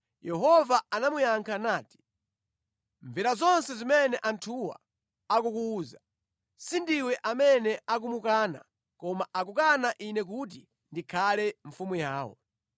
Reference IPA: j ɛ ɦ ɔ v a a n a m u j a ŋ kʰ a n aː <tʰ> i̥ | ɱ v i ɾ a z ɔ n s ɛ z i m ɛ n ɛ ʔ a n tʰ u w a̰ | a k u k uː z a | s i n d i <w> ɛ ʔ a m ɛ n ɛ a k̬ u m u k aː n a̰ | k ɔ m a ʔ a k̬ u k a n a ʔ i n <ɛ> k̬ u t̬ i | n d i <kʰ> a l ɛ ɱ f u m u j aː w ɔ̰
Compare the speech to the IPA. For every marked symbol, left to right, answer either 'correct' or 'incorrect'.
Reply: incorrect, correct, correct, correct

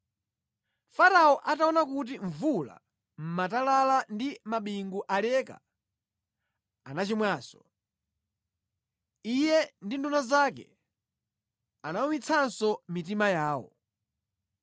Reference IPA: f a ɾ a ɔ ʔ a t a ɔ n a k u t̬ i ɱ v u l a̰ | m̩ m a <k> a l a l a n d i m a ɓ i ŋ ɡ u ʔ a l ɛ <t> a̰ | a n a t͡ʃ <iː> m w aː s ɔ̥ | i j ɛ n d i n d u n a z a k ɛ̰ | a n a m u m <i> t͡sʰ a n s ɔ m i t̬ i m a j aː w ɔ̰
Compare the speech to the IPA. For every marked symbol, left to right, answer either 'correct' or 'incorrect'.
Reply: incorrect, incorrect, incorrect, correct

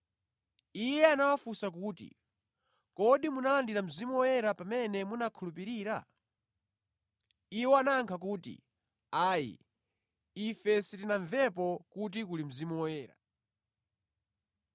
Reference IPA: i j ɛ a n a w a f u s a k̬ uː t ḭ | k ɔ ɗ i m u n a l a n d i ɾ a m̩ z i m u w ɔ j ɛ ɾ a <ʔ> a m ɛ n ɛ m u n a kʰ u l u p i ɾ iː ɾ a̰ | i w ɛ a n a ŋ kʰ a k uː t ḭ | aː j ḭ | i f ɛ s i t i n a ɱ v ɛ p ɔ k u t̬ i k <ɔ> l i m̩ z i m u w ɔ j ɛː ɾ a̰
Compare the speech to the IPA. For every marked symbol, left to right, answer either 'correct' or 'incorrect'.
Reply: incorrect, incorrect

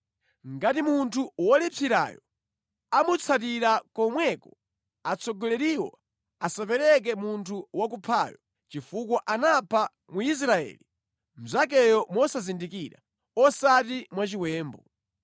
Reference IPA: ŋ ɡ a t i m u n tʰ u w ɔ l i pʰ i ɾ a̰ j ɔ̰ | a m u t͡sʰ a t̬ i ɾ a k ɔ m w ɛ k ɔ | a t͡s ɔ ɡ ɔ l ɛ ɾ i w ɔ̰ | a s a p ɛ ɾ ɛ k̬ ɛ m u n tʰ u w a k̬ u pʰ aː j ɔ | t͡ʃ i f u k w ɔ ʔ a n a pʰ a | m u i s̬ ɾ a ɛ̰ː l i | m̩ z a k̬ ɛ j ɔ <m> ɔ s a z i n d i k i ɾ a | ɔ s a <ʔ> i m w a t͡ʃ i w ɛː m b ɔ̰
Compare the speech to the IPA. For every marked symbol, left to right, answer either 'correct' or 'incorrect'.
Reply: correct, incorrect

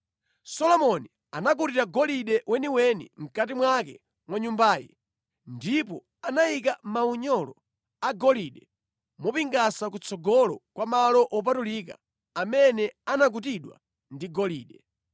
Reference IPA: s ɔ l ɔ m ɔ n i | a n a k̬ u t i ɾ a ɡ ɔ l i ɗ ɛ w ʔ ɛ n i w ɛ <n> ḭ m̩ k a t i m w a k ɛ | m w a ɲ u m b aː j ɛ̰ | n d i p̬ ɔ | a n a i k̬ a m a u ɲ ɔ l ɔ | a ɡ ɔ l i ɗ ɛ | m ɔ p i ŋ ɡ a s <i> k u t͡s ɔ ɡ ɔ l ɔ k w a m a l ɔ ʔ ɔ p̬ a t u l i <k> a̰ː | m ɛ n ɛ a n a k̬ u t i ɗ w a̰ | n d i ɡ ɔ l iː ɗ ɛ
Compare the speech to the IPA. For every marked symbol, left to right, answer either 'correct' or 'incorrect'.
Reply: correct, incorrect, correct

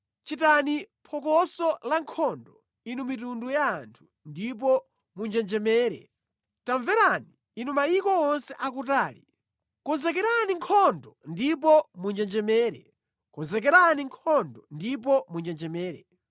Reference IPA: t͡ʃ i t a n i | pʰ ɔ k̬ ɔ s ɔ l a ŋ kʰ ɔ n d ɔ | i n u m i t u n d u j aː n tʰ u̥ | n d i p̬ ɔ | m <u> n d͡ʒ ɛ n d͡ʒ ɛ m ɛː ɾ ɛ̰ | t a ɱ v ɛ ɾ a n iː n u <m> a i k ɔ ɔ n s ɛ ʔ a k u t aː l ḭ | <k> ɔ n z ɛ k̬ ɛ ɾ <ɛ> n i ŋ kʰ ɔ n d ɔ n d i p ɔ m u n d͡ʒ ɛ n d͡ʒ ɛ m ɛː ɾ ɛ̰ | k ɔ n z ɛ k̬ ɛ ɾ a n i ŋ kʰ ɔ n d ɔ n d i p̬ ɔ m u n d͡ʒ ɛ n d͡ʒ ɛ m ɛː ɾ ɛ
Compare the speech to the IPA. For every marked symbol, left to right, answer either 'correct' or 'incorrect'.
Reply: correct, correct, correct, incorrect

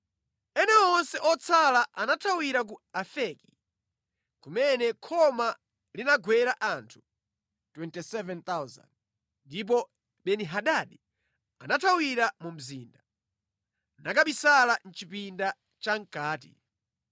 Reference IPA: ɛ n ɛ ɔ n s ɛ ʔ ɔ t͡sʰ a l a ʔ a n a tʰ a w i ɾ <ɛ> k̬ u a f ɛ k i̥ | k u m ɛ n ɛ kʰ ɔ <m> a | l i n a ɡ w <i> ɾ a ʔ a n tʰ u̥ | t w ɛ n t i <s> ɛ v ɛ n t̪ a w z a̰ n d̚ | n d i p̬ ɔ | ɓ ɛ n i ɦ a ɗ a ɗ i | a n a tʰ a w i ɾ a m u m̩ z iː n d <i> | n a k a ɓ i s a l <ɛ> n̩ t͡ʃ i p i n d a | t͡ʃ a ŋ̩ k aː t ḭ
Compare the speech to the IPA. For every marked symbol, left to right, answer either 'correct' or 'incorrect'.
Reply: incorrect, correct, incorrect, correct, incorrect, incorrect

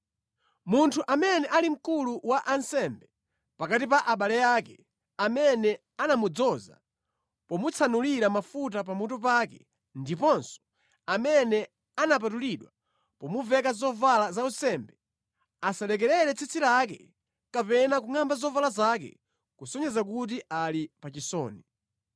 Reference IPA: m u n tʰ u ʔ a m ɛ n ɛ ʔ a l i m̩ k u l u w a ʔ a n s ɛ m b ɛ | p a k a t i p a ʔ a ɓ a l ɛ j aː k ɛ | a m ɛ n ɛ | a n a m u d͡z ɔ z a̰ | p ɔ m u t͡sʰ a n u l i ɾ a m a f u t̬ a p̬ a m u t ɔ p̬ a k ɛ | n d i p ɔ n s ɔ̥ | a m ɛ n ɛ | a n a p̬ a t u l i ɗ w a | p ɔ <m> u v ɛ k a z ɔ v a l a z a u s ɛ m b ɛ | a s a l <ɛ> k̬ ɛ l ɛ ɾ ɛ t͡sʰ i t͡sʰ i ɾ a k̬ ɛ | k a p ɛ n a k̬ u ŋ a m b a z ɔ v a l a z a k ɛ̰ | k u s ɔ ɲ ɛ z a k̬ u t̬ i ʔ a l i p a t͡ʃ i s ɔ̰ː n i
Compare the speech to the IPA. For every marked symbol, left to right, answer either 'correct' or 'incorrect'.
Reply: correct, correct

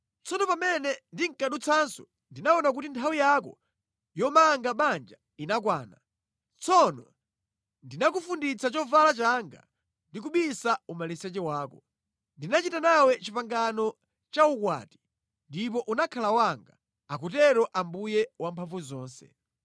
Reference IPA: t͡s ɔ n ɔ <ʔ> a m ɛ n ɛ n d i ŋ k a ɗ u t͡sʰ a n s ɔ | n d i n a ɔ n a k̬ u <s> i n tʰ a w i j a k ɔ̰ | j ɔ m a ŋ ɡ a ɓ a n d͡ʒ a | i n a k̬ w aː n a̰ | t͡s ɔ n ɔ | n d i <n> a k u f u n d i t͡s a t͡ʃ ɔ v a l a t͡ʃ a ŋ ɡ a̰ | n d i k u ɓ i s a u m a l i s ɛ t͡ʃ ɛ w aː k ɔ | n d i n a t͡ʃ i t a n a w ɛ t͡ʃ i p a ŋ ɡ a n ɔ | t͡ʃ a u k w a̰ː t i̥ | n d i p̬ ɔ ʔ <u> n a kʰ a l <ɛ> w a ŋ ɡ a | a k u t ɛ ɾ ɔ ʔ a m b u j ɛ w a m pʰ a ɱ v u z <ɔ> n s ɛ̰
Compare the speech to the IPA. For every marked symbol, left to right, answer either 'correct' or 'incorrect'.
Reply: incorrect, incorrect, correct, correct, incorrect, incorrect

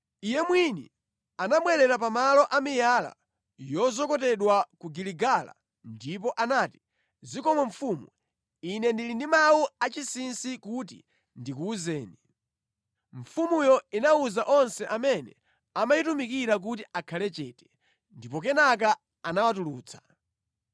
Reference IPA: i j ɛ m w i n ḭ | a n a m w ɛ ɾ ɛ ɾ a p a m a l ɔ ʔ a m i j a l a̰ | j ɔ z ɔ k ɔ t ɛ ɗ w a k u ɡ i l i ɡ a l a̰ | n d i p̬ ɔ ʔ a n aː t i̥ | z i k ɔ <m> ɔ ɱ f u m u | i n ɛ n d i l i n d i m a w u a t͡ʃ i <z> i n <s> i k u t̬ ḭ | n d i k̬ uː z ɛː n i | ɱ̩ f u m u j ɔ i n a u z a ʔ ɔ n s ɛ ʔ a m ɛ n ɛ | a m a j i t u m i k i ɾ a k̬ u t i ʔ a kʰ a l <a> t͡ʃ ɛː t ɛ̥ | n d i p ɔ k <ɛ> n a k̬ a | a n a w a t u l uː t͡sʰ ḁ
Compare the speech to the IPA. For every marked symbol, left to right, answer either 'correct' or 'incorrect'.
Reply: correct, incorrect, correct, incorrect, correct

